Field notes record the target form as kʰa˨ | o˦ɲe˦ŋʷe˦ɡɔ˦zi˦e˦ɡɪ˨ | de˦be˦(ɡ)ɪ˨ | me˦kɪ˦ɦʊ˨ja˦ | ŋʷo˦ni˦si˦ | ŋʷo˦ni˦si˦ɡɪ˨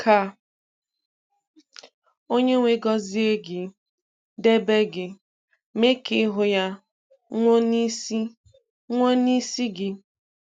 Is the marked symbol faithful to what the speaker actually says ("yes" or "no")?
yes